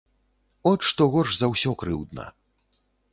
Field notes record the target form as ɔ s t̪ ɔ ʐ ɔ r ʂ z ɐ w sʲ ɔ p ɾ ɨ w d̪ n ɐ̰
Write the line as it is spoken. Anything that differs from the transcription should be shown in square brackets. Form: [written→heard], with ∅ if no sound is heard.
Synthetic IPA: ɔ [s→ʂ] t̪ ɔ [ʐ→ɣ] ɔ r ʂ z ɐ w sʲ ɔ [p→k] ɾ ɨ w d̪ n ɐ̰